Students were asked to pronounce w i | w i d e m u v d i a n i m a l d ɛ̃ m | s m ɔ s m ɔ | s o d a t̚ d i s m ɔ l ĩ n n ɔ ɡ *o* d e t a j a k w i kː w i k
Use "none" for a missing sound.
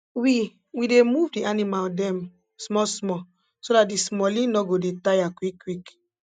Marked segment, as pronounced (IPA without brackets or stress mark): o